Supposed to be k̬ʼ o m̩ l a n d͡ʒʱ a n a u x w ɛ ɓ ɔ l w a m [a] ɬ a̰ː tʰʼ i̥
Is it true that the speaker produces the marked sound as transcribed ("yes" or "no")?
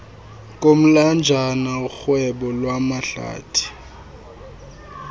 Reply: yes